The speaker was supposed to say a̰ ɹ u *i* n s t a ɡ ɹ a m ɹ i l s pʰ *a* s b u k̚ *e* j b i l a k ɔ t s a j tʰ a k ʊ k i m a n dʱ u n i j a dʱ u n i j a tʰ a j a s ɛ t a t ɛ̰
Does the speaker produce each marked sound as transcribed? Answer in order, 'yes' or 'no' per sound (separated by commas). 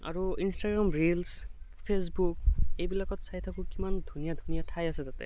yes, no, yes